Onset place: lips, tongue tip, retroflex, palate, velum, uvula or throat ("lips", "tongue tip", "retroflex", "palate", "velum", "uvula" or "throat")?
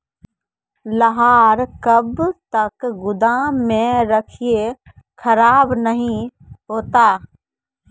tongue tip